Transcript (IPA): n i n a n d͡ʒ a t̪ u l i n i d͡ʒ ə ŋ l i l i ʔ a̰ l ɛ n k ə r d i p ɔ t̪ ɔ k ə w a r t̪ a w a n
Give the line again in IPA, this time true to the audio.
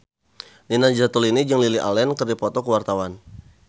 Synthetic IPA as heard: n i n a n d͡ʒ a t̪ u l i n i d͡ʒ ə ŋ l i l i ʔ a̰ l ɛ n k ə r d i p ɔ t̪ ɔ k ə w a r t̪ a w a n